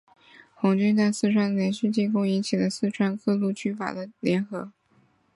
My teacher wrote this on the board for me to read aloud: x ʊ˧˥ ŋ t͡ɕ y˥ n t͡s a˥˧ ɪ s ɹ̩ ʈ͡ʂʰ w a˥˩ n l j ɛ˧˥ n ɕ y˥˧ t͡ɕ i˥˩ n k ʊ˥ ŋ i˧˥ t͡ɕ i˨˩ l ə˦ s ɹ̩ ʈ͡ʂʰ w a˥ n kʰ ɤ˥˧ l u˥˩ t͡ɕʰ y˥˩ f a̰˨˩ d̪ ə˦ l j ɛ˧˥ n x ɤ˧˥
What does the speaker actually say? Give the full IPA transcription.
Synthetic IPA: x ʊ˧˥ ŋ t͡ɕ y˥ n t͡s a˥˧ ɪ s ɹ̩ ʈ͡ʂʰ w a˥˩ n l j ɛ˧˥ n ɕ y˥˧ t͡ɕ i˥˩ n k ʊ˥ ŋ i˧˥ t͡ɕʰ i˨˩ l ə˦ s ɹ̩ ʈ͡ʂʰ w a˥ n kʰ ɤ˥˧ l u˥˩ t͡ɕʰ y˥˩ f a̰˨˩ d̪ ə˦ l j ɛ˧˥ n x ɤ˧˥